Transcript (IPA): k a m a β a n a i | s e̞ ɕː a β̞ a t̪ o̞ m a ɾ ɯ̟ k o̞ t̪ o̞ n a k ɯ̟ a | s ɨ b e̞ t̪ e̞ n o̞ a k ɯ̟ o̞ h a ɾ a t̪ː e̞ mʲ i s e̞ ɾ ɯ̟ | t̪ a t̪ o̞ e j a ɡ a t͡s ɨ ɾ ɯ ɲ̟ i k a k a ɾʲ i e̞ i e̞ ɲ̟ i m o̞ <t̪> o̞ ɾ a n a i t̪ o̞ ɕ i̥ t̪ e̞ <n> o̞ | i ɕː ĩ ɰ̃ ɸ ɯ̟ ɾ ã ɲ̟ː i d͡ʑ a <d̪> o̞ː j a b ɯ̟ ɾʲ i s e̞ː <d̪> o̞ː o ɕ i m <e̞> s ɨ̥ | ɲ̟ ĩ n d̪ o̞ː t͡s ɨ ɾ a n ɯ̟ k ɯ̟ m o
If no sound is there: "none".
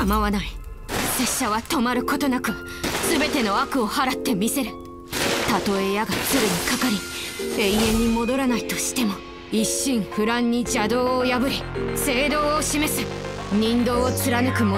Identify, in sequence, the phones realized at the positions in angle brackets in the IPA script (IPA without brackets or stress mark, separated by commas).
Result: d̪, m, d̪, d̪, e̞